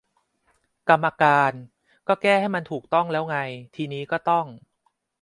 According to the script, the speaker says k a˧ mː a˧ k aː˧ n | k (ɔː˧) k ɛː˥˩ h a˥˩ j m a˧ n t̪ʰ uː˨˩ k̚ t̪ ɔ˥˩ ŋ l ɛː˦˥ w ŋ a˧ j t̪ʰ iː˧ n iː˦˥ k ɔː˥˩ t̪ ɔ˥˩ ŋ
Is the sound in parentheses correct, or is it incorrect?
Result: incorrect: ɔː˥˩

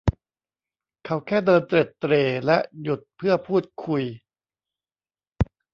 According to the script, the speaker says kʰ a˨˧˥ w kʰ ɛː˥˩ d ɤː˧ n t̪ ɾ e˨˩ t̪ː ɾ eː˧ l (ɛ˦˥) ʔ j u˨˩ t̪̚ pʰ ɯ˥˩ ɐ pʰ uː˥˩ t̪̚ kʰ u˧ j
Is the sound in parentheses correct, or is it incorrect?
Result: correct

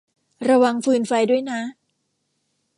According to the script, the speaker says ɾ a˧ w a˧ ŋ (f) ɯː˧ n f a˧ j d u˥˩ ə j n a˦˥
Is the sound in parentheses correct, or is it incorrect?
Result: correct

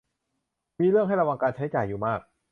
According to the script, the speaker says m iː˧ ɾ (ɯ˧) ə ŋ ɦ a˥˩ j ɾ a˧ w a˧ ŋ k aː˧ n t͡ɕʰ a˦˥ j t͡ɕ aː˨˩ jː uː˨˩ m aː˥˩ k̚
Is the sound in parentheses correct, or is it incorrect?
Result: incorrect: ɯ˥˩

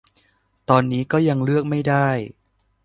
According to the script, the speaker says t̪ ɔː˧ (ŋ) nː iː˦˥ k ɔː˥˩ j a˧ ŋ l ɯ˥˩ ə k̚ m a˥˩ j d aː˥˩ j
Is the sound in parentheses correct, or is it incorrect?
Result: incorrect: none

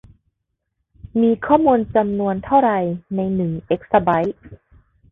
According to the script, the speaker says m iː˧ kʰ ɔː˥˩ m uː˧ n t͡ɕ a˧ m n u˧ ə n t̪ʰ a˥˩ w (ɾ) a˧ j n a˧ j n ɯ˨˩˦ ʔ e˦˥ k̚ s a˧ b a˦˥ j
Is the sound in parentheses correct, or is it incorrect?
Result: correct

